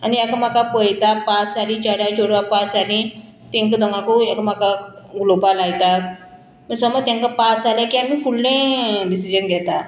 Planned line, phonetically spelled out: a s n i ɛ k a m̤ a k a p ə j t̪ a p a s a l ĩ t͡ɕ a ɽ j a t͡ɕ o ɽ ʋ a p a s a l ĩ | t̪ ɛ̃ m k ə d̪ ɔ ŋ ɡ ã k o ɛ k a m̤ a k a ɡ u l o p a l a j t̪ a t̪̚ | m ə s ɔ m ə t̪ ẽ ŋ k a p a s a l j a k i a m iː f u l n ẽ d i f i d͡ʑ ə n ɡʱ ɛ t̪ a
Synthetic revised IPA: a n i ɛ k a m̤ a k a p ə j t̪ a p a s a l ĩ t͡ɕ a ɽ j a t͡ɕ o ɽ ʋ a p a s a l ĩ | t̪ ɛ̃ ŋ k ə d̪ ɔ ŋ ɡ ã k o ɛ k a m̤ a k a ɡ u l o p a l a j t̪ a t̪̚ | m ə s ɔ m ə t̪ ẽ ŋ k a p a s a l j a k i a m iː f u l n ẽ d i s i d͡ʑ ə n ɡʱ ɛ t̪ a

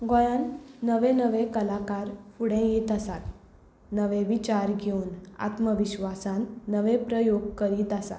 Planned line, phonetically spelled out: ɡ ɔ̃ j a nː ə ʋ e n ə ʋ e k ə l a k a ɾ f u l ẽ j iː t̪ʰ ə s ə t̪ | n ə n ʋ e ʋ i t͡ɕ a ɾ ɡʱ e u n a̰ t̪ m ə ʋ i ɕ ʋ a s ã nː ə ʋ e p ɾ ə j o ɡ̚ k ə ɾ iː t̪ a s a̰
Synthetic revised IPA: ɡ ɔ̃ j a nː ə ʋ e n ə ʋ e k ə l a k a ɾ f u ɽ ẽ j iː t̪ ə s a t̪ | n ə ʋ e ʋ i t͡ɕ a ɾ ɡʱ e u n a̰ t̪ m ə ʋ i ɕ ʋ a s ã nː ə ʋ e p ɾ ə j o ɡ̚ k ə ɾ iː t̪ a s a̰

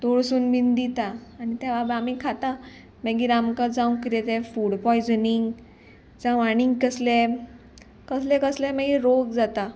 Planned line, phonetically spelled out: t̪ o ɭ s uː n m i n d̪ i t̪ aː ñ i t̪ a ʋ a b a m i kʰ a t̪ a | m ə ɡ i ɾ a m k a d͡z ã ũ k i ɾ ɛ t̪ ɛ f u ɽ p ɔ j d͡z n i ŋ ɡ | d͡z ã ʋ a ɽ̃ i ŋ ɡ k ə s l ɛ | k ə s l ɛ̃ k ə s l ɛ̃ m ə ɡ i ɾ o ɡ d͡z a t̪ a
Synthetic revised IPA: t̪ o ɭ s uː n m i n d̪ i t̪ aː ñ i t̪ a ʋ a b a m i kʰ a t̪ a | m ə ɡ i ɾ a m k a d͡z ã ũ k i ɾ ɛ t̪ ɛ f u ɽ p ɔ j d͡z n i ŋ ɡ | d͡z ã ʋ a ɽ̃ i ŋ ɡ k ə s l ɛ | k ə s l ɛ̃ k ə s l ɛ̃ m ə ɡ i ɾ o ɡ d͡z a t̪ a

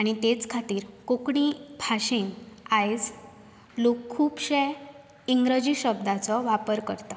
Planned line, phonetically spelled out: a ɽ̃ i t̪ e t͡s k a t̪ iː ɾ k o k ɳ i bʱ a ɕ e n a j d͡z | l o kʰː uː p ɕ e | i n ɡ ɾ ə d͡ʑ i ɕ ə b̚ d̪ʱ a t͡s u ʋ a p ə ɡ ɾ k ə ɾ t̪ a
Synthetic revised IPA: a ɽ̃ i t̪ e t͡s kʰ a t̪ iː ɾ k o k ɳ i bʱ a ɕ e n a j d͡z | l o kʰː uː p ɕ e | i ŋ ɡ ɾ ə d͡ʑ i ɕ ə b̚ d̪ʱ a t͡s ɔ ʋ a p ə ɾ k ə ɾ t̪ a

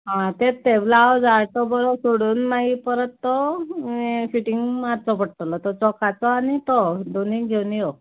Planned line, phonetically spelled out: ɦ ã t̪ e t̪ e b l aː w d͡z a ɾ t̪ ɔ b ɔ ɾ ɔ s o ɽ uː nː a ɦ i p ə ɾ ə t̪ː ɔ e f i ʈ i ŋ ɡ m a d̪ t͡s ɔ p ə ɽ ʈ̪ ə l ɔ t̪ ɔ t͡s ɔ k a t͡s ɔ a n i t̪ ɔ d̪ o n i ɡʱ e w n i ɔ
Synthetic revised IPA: ɦ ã t̪ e t̪ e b l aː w d͡z a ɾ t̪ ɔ b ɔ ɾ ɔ s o ɽ uː nː a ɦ i p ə ɾ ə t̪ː ɔ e f i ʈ i ŋ ɡ m a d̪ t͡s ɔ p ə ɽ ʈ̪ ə l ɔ t̪ ɔ t͡s ɔ k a t͡s ɔ a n i t̪ ɔ d̪ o n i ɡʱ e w n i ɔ

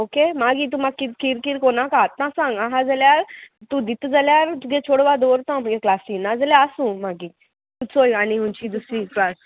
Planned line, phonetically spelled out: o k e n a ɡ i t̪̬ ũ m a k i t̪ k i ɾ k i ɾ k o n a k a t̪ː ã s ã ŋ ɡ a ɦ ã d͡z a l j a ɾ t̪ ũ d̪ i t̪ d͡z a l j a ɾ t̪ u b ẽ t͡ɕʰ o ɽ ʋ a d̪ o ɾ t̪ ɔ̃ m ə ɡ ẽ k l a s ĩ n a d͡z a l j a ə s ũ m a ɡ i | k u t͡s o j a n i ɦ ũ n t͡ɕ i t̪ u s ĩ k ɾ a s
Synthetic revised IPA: o k e m a ɡ i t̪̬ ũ m a k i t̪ k i ɾ k i ɾ k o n a k a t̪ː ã s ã ŋ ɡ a ɦ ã d͡z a l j a ɾ t̪ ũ d̪ i t̪ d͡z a l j a ɾ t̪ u ɡ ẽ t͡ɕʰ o ɽ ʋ a d̪ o ɾ t̪ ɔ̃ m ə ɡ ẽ k l a s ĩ n a d͡z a l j a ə s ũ m a ɡ i | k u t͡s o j a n i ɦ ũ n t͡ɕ i d̪ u s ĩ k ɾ a s

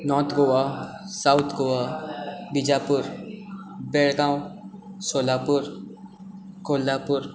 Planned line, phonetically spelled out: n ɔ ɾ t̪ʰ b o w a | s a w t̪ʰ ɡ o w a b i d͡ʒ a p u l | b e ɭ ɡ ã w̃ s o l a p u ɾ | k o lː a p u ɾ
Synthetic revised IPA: n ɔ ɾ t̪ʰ ɡ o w a | s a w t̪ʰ ɡ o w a b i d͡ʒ a p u ɾ | b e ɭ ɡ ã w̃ s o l a p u ɾ | k o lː a p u ɾ

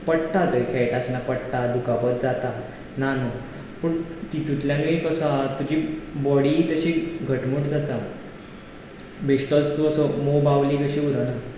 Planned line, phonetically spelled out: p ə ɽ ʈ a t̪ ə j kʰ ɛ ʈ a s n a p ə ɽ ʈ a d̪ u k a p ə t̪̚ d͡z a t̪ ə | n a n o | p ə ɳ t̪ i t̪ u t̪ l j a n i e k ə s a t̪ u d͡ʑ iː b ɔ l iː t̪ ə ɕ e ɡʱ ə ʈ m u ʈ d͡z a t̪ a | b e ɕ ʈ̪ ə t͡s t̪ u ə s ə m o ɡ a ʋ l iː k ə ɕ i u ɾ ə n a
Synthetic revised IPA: p ə ɽ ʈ a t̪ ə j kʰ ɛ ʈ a s n a p ə ɽ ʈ a d̪ u k a p ə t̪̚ d͡z a t̪ a | n a n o | p ə ɳ t̪ i t̪ u t̪ l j a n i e k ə s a t̪ u d͡ʑ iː b ɔ ɽ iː t̪ ə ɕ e ɡʱ ə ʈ m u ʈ d͡z a t̪ a | b e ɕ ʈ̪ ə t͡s t̪ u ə s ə m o b a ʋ l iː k ə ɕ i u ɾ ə n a

